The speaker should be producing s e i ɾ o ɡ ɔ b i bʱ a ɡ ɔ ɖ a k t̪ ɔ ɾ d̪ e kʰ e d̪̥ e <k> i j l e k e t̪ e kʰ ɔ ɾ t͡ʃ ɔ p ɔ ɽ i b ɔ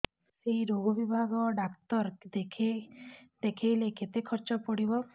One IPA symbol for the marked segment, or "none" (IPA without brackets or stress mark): kʰ